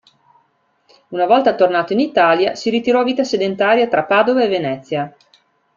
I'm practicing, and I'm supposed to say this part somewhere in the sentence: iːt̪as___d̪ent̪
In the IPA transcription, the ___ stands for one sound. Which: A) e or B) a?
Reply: A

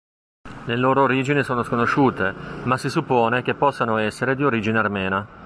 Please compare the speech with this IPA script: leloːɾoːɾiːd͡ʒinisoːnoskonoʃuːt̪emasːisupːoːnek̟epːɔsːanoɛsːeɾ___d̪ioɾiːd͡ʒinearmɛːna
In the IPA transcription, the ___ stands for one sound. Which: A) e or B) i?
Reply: A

